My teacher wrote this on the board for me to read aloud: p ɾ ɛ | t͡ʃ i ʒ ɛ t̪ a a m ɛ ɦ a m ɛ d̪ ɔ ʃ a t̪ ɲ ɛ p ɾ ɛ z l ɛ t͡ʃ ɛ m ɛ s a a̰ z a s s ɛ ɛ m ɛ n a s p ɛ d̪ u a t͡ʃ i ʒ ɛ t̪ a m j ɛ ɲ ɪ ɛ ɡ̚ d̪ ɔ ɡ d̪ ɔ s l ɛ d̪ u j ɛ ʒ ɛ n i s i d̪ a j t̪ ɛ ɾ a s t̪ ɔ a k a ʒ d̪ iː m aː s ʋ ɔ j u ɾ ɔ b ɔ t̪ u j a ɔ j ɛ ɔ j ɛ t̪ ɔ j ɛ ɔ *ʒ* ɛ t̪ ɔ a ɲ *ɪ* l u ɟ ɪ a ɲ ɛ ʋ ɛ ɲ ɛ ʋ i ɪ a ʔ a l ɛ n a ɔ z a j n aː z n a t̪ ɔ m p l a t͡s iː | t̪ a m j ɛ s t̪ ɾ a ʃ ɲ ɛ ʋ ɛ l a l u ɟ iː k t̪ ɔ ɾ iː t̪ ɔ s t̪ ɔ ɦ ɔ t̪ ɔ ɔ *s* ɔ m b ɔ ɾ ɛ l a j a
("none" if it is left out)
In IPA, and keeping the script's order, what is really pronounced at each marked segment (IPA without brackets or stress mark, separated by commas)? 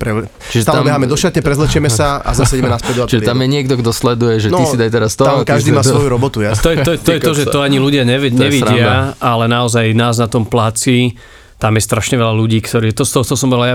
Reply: ʒ, i, s